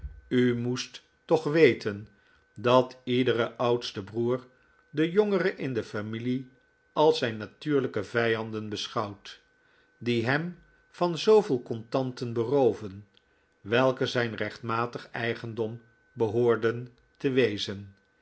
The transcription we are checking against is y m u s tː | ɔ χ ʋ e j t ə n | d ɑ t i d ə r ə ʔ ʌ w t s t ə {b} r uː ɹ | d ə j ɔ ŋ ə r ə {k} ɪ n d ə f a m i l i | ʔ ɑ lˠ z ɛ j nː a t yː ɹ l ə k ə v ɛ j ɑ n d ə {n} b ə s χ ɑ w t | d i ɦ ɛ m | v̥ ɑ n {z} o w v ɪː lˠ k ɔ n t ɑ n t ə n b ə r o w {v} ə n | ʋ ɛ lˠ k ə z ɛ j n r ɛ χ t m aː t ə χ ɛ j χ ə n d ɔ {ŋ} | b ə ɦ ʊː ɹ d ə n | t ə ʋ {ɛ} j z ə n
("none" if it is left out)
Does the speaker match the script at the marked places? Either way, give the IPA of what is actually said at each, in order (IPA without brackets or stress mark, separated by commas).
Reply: b, ʔ, n, z, v, m, e